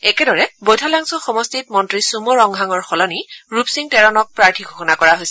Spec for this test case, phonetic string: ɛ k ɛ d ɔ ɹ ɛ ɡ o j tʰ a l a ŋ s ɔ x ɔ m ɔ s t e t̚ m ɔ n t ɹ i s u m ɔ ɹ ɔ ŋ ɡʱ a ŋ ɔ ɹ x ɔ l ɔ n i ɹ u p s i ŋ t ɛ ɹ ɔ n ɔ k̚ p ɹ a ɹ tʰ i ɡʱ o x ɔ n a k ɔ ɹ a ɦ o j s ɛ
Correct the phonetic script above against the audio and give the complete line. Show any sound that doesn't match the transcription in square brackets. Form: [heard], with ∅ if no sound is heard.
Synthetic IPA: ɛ k ɛ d ɔ ɹ ɛ [b] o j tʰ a l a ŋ s ɔ x ɔ m ɔ s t [i] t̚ m ɔ n t ɹ i s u m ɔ ɹ ɔ ŋ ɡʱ a ŋ ɔ ɹ x ɔ l ɔ n i ɹ u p s i ŋ t ɛ ɹ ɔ n ɔ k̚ p ɹ a ɹ tʰ i ɡʱ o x ɔ n a k ɔ ɹ a ɦ o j s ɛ